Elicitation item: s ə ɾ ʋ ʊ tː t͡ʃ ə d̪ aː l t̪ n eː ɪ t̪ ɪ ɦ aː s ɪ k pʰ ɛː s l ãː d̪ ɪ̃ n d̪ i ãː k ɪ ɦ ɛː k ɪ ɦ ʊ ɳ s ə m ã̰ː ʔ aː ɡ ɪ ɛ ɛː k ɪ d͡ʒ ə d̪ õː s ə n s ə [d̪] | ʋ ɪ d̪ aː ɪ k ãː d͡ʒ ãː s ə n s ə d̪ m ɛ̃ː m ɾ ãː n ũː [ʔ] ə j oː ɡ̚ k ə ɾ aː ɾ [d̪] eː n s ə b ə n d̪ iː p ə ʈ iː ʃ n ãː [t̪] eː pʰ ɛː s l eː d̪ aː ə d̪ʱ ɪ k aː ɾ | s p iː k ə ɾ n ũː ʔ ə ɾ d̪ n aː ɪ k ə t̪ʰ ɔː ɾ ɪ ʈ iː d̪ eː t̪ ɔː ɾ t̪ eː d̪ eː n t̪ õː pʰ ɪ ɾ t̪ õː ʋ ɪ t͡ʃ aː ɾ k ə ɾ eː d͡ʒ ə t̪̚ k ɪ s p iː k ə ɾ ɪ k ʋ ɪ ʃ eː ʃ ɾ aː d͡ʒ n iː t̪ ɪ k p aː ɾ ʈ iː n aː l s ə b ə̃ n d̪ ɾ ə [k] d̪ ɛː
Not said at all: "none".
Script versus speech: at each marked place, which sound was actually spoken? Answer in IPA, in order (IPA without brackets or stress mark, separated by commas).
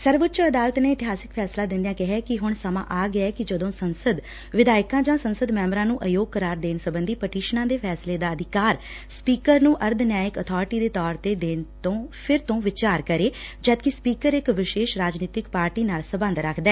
d̪, ʔ, d̪, d̪, kʰ